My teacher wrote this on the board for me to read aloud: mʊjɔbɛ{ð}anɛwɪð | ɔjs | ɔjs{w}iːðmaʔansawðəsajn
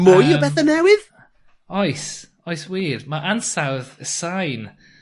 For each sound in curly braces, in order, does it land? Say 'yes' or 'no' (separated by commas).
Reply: no, yes